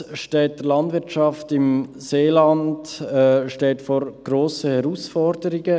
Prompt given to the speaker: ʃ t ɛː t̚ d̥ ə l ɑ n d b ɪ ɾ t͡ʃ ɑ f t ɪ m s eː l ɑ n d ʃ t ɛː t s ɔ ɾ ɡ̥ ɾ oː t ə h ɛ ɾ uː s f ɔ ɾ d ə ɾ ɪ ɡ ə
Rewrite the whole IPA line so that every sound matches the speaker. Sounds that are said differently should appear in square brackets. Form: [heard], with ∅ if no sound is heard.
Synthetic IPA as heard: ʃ t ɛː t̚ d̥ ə l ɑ n d [v] ɪ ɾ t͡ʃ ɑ f t ɪ m s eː l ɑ n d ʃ t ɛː t [f] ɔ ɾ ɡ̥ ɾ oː [s] ə h ɛ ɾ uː s f ɔ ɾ d ə ɾ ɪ ɡ ə